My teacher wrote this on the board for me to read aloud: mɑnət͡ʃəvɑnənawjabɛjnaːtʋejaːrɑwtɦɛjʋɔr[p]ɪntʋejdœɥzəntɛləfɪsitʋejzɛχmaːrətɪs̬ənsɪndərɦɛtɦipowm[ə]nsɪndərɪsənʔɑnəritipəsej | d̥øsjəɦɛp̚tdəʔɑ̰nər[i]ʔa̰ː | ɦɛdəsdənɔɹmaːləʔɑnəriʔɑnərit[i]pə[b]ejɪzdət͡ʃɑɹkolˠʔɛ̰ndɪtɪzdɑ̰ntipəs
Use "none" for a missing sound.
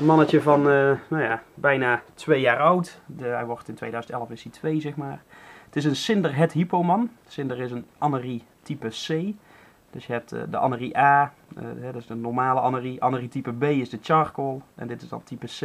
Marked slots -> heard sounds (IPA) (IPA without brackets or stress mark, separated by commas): t, ɑ, i, i, b